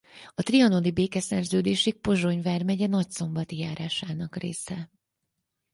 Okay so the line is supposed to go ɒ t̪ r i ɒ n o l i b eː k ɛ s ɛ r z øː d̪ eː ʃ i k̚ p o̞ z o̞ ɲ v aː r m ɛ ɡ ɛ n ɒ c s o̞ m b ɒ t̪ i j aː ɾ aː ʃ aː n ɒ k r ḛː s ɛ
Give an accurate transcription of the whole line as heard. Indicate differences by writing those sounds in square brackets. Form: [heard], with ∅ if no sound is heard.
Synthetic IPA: ɒ t̪ r i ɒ n o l i b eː k ɛ s ɛ r z øː d̪ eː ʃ i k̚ p o̞ [ʒ] o̞ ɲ v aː r m ɛ [ɟ] ɛ n ɒ c s o̞ m b ɒ t̪ i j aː ɾ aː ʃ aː n ɒ k r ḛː s ɛ